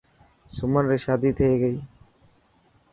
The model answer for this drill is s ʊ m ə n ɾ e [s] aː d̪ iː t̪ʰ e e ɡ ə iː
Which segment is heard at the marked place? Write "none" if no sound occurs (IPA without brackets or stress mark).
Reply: ʃ